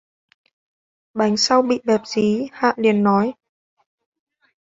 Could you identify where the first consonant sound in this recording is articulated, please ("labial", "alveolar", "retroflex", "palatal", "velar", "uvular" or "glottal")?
labial